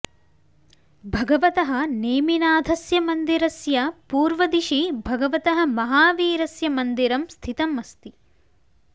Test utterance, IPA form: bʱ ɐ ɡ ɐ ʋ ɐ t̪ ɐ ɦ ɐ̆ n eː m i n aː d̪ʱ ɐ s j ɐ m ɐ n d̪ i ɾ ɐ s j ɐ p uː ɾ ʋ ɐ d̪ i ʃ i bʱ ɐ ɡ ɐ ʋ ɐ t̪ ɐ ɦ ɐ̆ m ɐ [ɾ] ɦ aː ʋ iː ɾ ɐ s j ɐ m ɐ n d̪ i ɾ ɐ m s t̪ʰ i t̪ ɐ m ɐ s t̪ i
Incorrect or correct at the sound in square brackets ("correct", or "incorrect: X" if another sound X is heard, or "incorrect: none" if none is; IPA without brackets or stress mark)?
incorrect: none